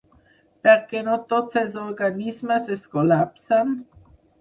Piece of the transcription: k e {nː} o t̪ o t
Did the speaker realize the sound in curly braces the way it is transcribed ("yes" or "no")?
no